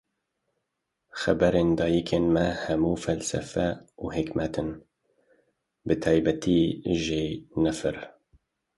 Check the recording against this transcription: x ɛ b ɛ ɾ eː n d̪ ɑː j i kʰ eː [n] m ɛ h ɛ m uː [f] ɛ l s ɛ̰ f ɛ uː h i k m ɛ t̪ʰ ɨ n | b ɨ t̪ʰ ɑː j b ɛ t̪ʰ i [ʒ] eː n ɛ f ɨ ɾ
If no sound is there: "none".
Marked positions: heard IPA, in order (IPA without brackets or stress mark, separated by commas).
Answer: n, f, ʒ